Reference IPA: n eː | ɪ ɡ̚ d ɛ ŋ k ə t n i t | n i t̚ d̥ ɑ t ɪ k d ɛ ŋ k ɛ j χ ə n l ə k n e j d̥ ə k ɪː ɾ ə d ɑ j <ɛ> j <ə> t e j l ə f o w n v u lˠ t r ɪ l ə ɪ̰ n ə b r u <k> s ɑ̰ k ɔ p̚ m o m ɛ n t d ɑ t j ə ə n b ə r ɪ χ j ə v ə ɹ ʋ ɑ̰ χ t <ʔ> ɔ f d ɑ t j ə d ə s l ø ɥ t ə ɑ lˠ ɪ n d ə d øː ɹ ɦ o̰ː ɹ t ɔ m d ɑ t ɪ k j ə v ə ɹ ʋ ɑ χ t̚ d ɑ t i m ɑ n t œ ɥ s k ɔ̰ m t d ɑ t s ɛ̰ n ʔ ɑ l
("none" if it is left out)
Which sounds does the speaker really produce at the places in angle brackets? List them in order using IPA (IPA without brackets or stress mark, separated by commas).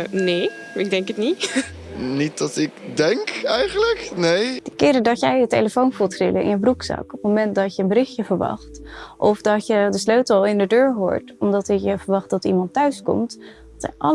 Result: ɛ, ə, k, ʔ